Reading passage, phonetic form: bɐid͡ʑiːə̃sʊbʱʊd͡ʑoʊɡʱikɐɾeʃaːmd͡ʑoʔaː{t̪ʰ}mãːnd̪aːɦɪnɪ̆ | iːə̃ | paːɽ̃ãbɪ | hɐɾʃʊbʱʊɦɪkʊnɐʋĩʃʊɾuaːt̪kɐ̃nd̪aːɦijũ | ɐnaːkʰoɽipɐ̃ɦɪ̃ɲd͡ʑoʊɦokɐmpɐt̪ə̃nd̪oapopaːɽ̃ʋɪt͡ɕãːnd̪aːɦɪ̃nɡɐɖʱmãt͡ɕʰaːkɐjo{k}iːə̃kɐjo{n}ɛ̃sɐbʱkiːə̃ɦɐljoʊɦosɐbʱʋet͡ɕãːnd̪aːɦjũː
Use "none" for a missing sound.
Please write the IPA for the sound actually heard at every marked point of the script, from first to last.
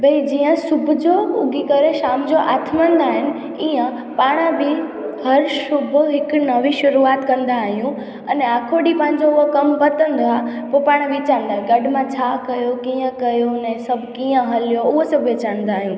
t̪ʰ, k, n

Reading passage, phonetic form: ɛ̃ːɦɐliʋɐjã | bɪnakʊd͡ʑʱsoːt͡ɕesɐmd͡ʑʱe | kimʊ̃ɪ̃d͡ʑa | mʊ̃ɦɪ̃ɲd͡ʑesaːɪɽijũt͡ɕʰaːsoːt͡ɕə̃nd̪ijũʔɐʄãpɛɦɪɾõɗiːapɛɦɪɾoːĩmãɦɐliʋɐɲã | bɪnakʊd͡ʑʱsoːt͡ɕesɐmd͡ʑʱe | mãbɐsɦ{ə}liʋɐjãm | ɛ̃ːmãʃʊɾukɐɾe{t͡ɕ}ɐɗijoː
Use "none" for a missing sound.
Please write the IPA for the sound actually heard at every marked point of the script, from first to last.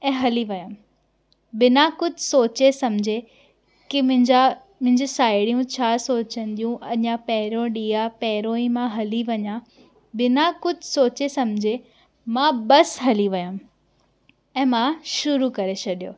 ɐ, t͡ɕʰ

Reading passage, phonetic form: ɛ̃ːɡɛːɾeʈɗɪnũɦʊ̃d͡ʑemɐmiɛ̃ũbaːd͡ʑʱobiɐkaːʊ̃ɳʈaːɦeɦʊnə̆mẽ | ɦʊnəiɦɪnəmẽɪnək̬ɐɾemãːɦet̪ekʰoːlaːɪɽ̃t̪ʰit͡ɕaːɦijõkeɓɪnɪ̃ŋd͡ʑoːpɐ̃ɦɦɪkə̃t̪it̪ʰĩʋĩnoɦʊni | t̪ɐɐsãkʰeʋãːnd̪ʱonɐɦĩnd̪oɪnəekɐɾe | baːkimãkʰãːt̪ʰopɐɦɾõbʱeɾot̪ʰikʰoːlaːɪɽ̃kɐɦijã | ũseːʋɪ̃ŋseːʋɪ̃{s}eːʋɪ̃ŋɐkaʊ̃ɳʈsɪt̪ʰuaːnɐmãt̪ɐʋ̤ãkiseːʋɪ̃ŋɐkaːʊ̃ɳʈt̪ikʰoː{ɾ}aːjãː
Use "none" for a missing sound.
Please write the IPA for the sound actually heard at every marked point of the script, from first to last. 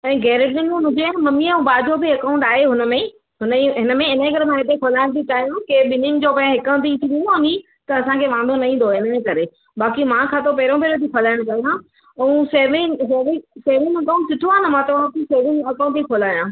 s, l

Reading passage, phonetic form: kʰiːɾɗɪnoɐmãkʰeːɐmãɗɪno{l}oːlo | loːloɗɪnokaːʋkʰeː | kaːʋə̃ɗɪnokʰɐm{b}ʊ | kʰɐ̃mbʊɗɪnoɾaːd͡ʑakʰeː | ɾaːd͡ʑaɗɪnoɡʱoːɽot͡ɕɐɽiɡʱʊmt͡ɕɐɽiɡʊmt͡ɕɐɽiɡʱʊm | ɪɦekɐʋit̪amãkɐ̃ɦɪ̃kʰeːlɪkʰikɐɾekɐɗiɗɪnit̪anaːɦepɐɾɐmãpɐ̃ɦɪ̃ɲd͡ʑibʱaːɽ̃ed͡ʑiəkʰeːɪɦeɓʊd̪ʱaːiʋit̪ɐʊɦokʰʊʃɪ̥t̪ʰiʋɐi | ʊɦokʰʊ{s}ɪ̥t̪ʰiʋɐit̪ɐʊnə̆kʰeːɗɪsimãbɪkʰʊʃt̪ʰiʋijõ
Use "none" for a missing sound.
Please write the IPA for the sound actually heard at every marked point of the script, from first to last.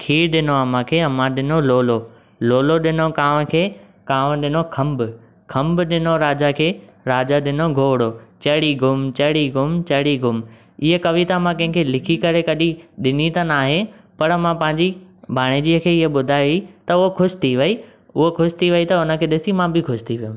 l, b, ʃ

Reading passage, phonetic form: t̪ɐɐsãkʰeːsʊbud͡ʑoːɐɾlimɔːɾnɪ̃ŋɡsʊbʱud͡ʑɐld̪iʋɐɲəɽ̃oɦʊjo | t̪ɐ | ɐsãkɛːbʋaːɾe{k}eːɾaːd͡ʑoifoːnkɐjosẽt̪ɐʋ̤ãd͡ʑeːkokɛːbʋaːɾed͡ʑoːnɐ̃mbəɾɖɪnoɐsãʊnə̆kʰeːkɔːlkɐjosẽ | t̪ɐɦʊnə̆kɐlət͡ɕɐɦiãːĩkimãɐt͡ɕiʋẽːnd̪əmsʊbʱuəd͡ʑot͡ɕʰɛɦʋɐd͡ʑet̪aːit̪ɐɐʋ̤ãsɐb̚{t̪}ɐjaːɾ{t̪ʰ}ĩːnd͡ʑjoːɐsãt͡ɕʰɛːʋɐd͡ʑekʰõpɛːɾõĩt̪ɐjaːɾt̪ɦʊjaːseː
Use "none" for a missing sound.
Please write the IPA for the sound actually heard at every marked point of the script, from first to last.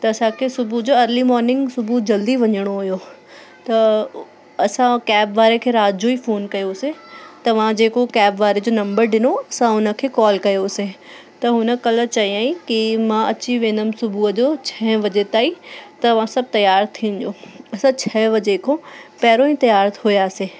kʰ, t̪, t̪ʰ

